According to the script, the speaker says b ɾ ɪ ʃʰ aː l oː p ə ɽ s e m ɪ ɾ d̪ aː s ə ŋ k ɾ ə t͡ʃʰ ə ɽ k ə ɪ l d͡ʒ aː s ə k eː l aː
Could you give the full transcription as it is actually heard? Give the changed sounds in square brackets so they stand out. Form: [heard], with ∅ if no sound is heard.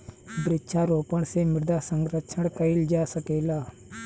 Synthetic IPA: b ɾ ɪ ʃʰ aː [ɾ] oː p ə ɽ s e m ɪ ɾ d̪ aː s ə ŋ [ɡ] ɾ ə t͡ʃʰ ə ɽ k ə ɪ l d͡ʒ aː s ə k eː l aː